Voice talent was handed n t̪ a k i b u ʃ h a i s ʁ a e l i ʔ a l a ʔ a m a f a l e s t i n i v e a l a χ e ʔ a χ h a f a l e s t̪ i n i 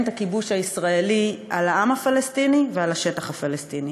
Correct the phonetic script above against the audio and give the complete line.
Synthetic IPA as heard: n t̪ a k i b u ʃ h a i s ʁ a e l i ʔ a l a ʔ a m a f a l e s t i n i v e a l a ʃ e t a χ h a f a l e s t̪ i n i